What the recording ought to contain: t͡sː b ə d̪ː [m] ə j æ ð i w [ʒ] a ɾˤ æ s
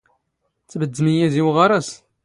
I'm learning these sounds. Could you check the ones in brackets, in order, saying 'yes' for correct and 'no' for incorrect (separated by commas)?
yes, no